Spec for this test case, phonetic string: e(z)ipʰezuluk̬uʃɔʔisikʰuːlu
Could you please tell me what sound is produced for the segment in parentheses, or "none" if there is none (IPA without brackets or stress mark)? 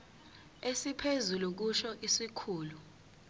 s